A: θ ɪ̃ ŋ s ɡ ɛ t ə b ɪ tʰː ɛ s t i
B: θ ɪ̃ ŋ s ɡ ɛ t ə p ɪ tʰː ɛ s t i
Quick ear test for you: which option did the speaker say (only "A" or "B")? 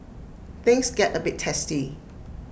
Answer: A